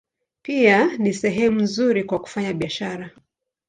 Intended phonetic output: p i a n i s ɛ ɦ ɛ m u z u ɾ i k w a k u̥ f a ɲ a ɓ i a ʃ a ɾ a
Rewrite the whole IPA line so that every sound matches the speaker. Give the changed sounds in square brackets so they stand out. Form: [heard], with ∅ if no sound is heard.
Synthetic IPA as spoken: p i a n i s ɛ ɦ ɛ m u z u ɾ i k w a k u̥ f a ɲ a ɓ i a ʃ a ɾ a

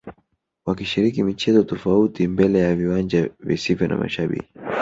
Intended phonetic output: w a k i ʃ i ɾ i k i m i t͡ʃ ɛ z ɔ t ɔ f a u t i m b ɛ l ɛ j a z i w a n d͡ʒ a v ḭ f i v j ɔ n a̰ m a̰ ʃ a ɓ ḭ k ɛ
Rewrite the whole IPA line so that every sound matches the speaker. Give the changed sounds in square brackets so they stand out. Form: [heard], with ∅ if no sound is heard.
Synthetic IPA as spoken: w a k i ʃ i ɾ i k i m i t͡ʃ ɛ z ɔ t ɔ f a u t i m b ɛ l ɛ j a [v] i w a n d͡ʒ a v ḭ [s] i v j ɔ n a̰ m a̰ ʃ a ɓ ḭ k [i]

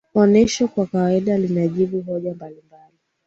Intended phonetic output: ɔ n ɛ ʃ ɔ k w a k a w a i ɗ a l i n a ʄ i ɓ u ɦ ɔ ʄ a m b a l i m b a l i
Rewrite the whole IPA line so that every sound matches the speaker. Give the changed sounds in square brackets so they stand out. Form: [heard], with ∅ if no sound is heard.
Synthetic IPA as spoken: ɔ n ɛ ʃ ɔ k w a k a w a i ɗ a l i n a ʄ i ɓ u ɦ ɔ ʄ a m b a l i m b a l i

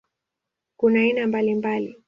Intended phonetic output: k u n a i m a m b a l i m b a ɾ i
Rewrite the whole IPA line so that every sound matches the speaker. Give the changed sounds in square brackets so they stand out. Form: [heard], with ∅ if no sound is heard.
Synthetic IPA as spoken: k u n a i [n] a m b a l i m b a [l] i

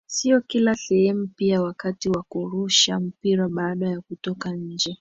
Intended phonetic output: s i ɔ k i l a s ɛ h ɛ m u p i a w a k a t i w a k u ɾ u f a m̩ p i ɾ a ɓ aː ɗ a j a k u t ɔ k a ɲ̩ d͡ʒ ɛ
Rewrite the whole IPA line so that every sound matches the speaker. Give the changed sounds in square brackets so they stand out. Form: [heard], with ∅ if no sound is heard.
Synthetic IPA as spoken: s i ɔ k i l a s ɛ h ɛ m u p i a w a k a t i w a k u ɾ u [ʃ] a m̩ p i ɾ a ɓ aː ɗ a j a k u t ɔ k a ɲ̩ d͡ʒ ɛ

